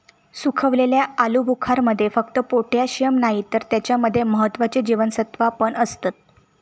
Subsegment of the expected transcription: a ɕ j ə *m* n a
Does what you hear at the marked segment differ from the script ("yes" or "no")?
no